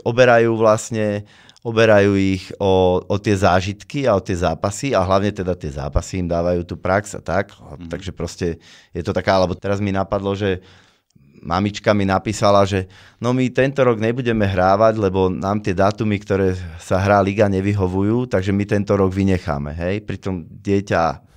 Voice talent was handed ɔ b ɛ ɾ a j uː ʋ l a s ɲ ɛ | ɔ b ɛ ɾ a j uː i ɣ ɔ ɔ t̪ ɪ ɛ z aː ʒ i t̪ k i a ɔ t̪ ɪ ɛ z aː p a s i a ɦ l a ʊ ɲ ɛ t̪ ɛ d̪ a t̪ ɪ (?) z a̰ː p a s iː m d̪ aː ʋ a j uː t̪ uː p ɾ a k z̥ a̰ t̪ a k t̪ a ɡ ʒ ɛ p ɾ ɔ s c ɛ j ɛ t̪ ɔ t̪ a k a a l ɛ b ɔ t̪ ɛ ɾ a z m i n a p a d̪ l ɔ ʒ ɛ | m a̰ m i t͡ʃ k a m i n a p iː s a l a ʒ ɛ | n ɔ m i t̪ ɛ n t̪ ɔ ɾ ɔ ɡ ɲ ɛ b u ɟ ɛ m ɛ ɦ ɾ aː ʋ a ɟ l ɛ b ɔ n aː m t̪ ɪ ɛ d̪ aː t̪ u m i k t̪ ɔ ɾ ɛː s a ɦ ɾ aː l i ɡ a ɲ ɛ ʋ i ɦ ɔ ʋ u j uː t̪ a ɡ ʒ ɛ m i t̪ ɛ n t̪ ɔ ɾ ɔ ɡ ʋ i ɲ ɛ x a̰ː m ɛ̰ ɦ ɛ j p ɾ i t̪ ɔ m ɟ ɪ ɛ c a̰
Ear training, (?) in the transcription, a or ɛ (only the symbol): ɛ